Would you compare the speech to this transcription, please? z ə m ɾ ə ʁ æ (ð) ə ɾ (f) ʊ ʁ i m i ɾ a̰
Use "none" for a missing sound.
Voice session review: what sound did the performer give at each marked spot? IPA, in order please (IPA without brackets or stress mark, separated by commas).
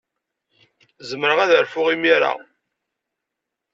ð, f